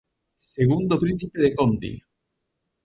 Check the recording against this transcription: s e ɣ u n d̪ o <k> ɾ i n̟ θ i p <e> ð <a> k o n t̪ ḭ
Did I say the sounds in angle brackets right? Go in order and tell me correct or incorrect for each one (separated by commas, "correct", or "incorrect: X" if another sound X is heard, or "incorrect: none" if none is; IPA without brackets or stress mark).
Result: incorrect: p, correct, incorrect: e